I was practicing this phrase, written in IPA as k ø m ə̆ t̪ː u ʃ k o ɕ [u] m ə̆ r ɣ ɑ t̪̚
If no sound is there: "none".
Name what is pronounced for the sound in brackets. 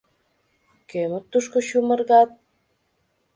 u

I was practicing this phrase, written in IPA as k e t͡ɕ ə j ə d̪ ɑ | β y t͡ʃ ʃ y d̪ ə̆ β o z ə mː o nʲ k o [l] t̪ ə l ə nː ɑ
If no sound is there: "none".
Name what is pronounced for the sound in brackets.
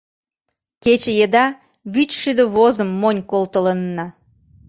l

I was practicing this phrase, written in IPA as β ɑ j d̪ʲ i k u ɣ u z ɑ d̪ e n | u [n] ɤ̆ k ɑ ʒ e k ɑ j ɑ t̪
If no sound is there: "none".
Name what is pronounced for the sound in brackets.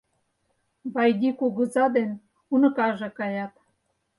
n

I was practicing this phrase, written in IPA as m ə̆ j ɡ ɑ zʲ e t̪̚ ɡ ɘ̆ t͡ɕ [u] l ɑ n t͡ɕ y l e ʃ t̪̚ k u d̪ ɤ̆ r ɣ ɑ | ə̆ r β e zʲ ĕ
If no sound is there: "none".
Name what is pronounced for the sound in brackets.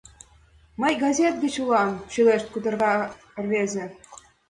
u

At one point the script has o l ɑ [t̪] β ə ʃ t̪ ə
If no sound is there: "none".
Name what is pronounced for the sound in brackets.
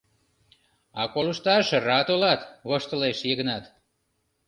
t̪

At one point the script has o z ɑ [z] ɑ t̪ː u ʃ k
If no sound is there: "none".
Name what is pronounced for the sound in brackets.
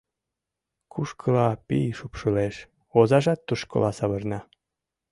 ʒ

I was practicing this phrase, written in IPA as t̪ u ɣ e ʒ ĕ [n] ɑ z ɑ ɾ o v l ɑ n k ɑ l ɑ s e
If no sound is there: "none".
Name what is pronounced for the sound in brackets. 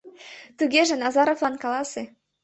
n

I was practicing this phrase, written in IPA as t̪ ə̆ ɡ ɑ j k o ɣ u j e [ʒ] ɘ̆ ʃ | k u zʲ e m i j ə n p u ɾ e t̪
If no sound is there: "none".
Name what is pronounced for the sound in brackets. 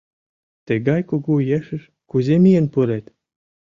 ʃ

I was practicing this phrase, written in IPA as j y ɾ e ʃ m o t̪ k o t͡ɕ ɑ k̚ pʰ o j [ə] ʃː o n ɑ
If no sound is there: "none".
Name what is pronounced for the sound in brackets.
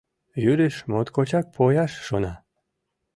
ɑ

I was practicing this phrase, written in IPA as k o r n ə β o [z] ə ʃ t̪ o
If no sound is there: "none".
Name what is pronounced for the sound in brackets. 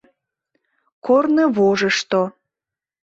ʒ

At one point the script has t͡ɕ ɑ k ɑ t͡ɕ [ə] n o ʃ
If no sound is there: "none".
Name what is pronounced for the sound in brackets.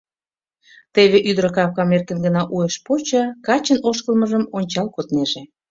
ə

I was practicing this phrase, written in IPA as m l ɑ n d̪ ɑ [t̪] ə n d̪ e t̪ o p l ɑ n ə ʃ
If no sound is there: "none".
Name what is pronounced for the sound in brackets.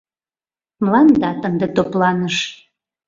t̪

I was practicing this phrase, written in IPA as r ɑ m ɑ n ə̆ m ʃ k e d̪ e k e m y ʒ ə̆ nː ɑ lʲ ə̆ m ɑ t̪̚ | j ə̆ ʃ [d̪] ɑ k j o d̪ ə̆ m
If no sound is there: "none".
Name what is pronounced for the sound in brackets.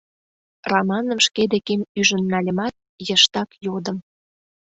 t̪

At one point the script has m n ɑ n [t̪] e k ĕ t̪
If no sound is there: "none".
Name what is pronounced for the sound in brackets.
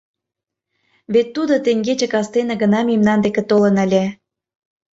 d̪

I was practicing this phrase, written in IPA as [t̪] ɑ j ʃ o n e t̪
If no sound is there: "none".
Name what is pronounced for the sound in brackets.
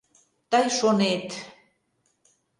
t̪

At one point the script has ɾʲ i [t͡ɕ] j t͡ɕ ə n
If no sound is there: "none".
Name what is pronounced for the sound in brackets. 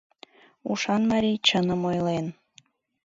none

